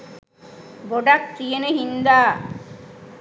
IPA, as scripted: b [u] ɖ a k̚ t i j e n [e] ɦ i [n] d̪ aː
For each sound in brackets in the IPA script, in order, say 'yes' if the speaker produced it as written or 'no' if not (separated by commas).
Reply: no, yes, yes